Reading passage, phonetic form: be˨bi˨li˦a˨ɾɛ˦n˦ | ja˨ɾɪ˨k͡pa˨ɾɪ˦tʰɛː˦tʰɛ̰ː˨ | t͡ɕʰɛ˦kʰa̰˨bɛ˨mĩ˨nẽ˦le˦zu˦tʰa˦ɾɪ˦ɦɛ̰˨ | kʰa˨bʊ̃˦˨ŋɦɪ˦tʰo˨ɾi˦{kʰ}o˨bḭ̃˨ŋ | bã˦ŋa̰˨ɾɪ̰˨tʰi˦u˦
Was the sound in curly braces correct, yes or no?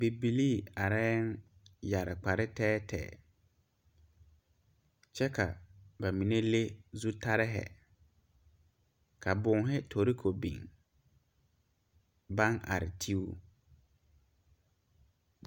yes